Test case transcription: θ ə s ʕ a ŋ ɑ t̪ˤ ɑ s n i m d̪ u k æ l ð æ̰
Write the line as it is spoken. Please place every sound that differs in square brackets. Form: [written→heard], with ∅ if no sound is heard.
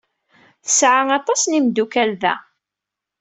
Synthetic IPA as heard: θ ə s ʕ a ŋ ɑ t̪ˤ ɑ s n i m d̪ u k æ l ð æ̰